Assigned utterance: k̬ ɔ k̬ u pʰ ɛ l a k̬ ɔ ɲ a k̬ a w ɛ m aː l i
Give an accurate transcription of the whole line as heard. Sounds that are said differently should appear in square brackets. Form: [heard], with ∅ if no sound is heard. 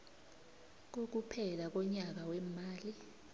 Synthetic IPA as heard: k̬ [o] k̬ u pʰ ɛ l a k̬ ɔ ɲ a k̬ a w ɛ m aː l i